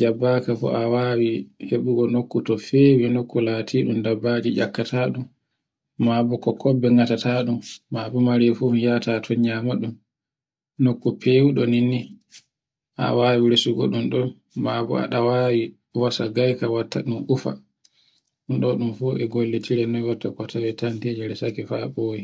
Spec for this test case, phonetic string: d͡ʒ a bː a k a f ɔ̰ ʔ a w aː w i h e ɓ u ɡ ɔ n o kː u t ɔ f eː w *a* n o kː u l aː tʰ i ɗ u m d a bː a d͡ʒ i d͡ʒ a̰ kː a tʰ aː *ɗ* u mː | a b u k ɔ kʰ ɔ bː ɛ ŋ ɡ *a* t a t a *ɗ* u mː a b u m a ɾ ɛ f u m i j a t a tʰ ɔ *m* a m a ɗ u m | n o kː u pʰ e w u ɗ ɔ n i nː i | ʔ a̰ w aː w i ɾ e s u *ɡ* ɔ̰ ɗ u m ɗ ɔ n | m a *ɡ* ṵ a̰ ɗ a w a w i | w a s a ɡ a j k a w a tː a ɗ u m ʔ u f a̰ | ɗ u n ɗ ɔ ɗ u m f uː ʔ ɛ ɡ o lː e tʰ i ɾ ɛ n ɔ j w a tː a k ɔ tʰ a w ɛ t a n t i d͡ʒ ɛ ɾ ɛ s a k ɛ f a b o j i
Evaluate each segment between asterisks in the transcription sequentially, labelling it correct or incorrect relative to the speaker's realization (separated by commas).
incorrect, correct, correct, correct, incorrect, correct, incorrect